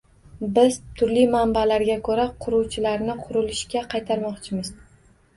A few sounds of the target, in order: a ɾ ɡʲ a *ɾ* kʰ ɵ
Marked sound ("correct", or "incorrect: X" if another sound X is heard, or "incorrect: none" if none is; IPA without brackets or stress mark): incorrect: none